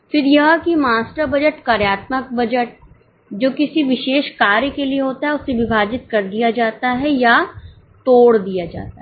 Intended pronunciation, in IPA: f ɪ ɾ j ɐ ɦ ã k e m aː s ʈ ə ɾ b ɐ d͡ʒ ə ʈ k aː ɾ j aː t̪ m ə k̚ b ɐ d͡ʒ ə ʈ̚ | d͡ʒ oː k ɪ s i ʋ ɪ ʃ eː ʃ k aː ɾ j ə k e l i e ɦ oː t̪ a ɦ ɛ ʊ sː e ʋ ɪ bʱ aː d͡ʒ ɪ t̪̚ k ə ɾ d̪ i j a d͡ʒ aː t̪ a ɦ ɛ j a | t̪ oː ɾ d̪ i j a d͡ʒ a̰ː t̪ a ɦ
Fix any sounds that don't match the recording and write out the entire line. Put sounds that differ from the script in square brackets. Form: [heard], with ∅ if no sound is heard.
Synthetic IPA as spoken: f ɪ ɾ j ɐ ɦ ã k [i] m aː s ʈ ə ɾ b ɐ d͡ʒ ə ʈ k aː ɾ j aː t̪ m ə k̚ b ɐ d͡ʒ ə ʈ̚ | d͡ʒ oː k ɪ s i ʋ ɪ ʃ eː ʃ k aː ɾ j ə k e l i e ɦ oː t̪ a ɦ ɛ ʊ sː e ʋ ɪ bʱ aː d͡ʒ ɪ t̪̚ k [ɐ] ɾ d̪ i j a d͡ʒ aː t̪ a ɦ ɛ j a | t̪ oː [ɽ] d̪ i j a d͡ʒ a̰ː t̪ a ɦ